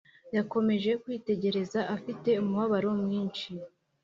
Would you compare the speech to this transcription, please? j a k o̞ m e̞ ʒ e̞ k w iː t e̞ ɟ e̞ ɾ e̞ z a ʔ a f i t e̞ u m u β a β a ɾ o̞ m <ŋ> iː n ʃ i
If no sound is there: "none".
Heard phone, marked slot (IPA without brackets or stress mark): ŋ